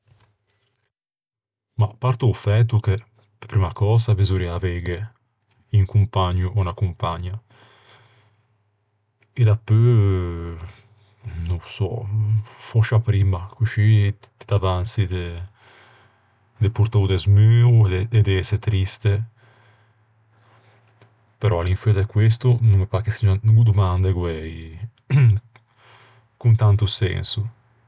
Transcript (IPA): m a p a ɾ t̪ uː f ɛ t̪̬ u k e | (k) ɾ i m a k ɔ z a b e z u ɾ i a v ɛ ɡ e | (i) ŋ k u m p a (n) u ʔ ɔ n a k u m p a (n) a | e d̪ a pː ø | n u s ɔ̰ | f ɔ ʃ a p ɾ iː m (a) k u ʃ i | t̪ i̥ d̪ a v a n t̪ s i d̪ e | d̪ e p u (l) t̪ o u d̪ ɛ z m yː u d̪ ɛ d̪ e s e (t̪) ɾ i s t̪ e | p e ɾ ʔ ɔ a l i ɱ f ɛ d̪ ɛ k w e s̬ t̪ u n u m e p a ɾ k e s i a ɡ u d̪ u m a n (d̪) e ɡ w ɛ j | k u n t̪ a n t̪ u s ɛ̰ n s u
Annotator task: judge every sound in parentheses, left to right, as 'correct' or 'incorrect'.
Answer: incorrect, correct, incorrect, incorrect, correct, incorrect, correct, correct

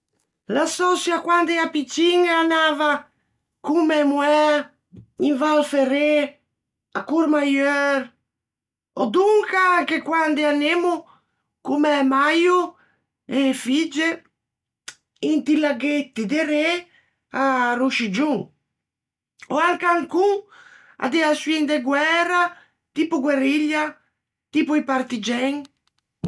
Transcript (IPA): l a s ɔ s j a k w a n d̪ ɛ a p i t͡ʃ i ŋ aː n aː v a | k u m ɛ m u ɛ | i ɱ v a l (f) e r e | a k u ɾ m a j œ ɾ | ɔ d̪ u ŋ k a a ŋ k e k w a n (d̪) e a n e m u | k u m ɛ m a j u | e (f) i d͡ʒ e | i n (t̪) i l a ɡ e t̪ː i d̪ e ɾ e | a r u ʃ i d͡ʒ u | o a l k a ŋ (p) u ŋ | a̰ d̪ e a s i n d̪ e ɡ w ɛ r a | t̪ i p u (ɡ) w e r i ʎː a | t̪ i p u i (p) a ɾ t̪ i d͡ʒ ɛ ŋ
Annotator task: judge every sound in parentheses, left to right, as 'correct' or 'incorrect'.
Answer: correct, correct, correct, correct, incorrect, correct, correct

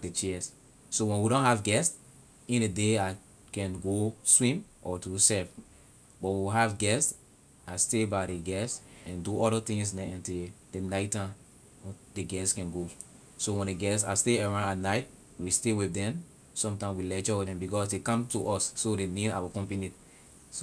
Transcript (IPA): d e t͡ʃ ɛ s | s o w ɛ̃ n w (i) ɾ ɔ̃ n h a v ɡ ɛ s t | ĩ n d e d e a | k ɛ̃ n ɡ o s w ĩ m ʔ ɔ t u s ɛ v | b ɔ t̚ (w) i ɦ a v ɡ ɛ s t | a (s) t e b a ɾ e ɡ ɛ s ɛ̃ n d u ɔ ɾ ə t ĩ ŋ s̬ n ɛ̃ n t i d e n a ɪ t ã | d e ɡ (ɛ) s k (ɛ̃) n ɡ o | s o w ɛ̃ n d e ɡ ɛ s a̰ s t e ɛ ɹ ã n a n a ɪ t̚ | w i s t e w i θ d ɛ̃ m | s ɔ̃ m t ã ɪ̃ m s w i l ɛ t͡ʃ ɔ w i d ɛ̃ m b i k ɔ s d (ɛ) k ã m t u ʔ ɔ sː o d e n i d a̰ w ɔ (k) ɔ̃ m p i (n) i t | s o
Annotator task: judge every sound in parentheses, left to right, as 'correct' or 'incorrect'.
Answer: correct, correct, correct, correct, correct, incorrect, correct, correct

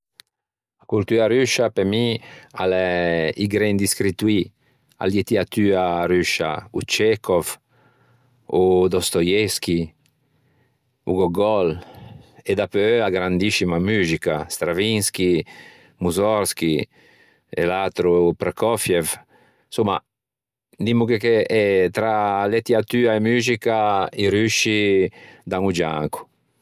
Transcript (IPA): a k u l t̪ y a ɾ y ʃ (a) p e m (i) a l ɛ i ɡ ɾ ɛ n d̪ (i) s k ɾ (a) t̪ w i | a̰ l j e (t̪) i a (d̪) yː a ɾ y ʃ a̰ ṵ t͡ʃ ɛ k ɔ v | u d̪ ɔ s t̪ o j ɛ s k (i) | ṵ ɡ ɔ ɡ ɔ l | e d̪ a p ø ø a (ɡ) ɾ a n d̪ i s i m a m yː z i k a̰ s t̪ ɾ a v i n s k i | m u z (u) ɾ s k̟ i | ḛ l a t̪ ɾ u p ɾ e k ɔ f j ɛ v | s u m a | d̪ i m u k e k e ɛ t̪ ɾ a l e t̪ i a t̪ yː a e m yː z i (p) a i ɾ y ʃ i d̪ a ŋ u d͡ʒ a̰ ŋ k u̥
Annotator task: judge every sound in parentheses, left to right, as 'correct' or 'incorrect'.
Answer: correct, correct, correct, incorrect, correct, incorrect, correct, correct, incorrect, incorrect

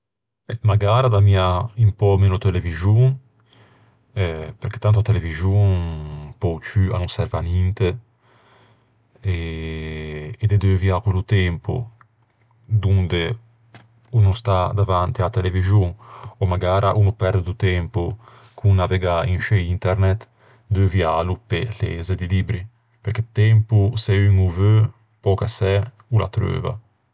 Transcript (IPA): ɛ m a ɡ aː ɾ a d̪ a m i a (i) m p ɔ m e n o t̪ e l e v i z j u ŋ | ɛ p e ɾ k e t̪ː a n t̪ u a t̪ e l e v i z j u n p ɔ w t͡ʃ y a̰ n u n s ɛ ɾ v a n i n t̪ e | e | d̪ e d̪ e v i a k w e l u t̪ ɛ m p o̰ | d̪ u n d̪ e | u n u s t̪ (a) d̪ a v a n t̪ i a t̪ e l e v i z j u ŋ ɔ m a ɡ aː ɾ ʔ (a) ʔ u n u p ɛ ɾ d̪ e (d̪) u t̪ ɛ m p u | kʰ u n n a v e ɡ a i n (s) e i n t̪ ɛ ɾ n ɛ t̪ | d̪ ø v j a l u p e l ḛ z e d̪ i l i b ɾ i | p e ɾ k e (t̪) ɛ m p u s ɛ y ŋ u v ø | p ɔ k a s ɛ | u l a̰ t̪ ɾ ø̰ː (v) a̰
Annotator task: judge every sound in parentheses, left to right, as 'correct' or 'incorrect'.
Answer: correct, correct, correct, correct, incorrect, correct, correct

